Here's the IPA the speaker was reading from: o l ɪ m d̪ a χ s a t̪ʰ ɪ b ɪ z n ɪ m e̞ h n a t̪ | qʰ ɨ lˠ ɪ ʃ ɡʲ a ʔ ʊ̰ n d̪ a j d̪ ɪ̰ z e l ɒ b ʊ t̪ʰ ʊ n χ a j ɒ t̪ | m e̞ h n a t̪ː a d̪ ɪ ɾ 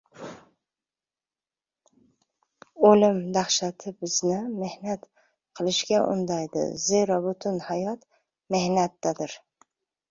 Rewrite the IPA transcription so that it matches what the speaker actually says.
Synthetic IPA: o l ɪ m d̪ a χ ʃ a t̪ʰ ɪ b ɪ z n ɪ m e̞ h n a t̪ | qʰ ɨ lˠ ɪ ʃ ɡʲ a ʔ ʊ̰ n d̪ a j d̪ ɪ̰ z e ɾ ɒ b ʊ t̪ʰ ʊ n h a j ɒ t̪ | m e̞ h n a t̪ː a d̪ ɪ ɾ